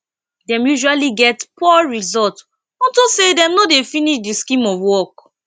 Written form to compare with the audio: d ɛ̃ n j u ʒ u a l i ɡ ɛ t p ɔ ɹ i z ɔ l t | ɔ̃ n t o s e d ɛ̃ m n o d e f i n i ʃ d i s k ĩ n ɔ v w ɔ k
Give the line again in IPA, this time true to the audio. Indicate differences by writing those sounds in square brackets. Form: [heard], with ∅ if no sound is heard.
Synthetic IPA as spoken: d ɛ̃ [m] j u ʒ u a l i ɡ ɛ t p ɔ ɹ i z ɔ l t | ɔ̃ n t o s e d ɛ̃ m n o d e f i n i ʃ d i s k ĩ [m] ɔ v w ɔ k